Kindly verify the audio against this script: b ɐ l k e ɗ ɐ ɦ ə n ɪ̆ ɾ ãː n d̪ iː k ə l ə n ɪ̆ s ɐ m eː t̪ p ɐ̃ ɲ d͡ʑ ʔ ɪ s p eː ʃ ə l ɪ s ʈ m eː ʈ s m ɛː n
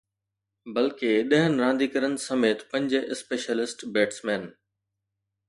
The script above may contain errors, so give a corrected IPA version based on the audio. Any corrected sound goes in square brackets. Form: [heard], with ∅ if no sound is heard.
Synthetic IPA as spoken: b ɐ l k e ɗ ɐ ɦ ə n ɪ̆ ɾ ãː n d̪ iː k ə [ɾ] ə n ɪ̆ s ɐ m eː t̪ p ɐ̃ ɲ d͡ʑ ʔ ɪ s p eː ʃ ə l ɪ s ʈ [b] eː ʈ s m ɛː n